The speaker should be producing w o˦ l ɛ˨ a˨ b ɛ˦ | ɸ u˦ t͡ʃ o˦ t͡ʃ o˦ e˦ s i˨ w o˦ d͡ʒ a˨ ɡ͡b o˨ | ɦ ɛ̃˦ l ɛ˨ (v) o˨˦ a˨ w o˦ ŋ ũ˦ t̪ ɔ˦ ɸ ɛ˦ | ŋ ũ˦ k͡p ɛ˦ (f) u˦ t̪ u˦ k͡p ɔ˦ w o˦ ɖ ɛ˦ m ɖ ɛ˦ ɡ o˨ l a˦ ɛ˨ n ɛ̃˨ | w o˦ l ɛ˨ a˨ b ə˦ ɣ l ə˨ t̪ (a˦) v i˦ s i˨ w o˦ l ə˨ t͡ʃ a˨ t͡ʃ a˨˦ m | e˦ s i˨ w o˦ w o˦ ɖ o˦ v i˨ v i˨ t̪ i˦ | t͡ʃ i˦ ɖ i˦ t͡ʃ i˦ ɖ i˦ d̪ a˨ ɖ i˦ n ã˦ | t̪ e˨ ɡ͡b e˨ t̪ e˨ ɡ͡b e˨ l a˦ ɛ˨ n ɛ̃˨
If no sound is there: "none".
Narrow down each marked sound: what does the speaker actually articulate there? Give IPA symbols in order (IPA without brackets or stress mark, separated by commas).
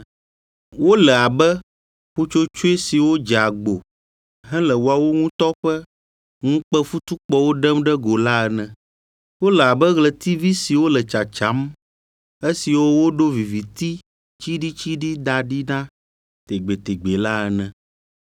w, f, i˦